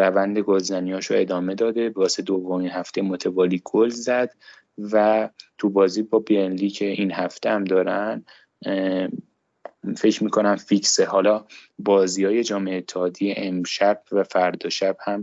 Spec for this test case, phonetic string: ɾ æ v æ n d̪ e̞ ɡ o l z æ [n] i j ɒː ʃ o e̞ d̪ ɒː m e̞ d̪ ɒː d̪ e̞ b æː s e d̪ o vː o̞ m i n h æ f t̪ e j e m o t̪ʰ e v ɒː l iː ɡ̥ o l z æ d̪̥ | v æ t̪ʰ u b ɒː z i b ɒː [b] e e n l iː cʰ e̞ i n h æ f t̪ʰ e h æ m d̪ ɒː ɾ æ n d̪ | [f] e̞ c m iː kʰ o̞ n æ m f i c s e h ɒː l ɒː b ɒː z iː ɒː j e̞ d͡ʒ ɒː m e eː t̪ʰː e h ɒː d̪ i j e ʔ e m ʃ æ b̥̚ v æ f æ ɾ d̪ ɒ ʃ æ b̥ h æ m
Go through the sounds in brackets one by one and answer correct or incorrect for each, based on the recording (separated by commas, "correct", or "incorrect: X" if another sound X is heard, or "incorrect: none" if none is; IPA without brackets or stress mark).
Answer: correct, correct, correct